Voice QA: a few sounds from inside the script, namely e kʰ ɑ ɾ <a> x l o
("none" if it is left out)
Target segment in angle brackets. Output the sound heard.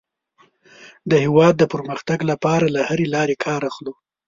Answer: a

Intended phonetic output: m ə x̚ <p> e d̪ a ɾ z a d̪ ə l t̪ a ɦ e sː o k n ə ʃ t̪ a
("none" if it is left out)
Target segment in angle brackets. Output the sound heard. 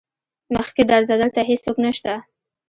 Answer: k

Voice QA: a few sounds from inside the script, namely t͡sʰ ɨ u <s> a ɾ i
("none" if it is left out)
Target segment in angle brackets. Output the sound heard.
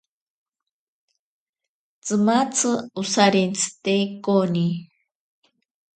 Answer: s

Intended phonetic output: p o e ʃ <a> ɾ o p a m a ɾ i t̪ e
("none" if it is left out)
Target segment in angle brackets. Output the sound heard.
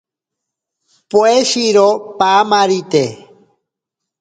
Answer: i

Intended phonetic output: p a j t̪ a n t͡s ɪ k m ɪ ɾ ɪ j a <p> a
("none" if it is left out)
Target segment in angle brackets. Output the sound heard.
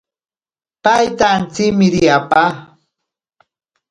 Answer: p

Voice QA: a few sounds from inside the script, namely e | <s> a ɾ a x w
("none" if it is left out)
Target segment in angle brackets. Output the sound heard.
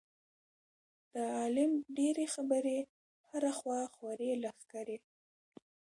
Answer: h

